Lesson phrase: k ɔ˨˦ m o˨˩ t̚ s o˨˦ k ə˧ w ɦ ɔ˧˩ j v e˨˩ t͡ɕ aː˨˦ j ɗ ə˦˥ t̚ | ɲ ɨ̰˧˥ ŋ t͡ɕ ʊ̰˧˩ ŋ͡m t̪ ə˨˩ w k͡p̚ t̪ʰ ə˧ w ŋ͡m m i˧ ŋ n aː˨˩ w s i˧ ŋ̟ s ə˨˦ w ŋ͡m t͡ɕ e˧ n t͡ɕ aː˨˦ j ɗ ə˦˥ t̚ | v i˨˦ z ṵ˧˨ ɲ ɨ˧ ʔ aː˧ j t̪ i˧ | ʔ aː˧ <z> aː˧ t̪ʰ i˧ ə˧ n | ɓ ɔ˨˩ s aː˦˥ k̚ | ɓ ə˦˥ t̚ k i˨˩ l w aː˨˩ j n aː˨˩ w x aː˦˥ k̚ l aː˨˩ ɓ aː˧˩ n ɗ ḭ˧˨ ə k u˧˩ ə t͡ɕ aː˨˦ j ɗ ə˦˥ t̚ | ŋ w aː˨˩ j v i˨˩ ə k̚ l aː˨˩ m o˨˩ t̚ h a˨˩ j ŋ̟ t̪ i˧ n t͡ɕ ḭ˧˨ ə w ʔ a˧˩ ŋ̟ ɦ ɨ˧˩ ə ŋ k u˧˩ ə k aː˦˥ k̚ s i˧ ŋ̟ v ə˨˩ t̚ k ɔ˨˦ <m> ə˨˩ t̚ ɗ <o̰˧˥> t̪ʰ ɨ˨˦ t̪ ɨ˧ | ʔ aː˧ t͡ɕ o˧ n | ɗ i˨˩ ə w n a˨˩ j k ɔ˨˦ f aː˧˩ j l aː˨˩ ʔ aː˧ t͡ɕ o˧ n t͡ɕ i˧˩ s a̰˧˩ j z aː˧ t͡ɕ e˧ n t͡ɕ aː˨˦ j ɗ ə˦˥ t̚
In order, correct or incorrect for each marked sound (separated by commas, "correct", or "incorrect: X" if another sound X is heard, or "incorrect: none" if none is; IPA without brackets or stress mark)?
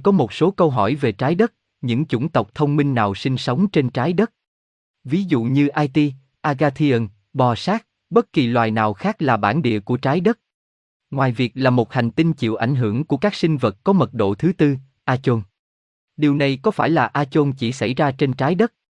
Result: incorrect: ɣ, correct, incorrect: o̰˧˨